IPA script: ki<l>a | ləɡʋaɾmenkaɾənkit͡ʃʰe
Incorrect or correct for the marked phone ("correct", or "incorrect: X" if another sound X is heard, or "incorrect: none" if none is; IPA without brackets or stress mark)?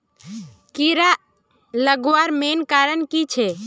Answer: incorrect: ɾ